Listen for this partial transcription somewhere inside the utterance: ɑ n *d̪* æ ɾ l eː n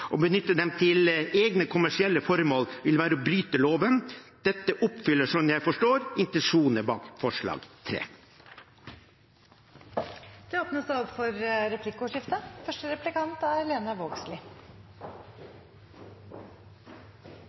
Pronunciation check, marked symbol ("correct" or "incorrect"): incorrect